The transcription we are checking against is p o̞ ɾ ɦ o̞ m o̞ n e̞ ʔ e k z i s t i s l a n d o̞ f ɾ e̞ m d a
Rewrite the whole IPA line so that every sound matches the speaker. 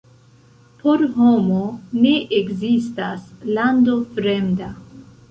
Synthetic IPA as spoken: p o̞ ɾ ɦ o̞ m o̞ n e̞ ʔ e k z i s t a s l a n d o̞ f ɾ e̞ m d a